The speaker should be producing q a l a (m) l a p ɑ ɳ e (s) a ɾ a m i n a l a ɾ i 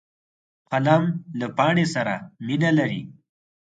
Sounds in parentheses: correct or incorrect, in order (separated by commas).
correct, correct